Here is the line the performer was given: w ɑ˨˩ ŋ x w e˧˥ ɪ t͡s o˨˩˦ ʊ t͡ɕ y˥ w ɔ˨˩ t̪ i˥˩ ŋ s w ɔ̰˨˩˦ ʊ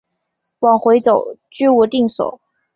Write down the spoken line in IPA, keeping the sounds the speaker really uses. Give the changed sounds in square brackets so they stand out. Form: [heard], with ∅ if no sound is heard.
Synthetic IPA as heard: w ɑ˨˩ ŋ x w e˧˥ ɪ t͡s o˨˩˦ ʊ t͡ɕ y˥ w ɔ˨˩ t̪ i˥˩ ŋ s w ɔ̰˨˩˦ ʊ